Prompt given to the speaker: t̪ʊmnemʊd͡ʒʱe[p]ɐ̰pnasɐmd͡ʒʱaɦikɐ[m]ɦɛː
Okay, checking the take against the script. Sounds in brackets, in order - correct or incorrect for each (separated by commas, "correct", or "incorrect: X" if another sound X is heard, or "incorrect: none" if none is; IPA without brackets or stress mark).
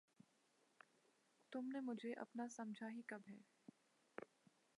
incorrect: ʔ, incorrect: b